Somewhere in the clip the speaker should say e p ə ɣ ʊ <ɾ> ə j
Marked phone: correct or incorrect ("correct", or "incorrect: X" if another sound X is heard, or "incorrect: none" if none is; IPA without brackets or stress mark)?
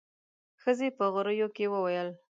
correct